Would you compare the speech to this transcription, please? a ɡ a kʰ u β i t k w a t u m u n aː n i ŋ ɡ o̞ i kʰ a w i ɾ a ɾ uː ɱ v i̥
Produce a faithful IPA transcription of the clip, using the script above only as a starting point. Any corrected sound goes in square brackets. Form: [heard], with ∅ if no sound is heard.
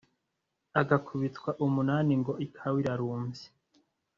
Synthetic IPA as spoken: a ɡ a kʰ u β i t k w a [ʔ] u m u n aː n i ŋ ɡ o̞ i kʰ a w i ɾ a ɾ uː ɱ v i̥